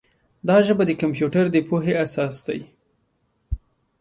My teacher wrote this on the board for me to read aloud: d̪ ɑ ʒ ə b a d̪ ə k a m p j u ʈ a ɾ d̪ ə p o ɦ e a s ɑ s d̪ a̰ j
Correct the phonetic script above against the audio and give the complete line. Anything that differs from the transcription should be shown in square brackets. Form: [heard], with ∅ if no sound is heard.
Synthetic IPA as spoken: d̪ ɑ ʒ ə b a d̪ ə k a m p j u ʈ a ɾ d̪ ə p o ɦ e a s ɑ s d̪ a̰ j